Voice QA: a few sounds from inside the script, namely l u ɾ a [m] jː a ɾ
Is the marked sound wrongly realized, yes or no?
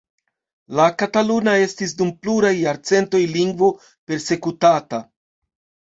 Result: yes